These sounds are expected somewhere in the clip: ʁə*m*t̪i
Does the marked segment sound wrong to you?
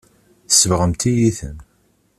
no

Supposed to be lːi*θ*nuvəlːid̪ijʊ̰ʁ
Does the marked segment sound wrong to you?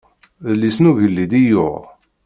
yes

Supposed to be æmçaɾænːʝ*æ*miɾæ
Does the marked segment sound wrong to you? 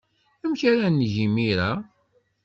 yes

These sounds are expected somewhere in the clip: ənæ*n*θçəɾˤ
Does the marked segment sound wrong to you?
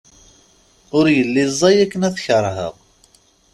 yes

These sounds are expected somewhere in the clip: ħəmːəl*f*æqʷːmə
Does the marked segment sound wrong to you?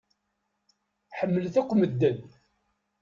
yes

